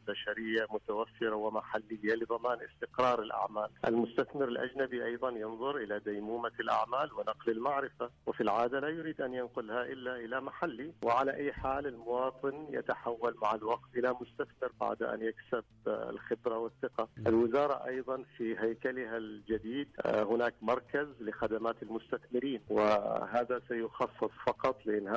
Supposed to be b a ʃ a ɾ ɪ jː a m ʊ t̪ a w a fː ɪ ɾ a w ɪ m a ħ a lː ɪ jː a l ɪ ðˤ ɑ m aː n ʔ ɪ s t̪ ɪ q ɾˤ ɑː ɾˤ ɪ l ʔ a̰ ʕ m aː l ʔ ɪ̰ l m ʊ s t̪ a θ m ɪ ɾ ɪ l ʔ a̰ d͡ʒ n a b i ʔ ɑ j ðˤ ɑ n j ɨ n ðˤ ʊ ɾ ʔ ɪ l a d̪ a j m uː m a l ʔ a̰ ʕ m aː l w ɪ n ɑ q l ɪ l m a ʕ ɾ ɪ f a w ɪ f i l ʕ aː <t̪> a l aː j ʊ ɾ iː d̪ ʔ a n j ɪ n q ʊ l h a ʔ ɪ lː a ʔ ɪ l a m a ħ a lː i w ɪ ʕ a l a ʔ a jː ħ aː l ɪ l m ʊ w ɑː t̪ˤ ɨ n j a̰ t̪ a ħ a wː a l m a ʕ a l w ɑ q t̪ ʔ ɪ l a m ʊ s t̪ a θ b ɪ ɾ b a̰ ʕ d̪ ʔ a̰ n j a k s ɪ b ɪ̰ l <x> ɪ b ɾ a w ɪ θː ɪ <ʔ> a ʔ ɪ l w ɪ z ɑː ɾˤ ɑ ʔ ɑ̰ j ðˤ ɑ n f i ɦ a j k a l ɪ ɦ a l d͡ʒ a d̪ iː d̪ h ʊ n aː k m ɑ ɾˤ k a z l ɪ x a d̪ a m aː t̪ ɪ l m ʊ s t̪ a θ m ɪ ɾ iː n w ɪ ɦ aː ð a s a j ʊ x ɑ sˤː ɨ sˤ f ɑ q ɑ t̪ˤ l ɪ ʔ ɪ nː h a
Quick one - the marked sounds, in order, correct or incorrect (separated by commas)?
incorrect, correct, incorrect